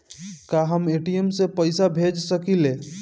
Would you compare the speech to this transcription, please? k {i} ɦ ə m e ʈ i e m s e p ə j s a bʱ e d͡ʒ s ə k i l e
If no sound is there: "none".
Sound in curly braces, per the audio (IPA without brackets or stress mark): a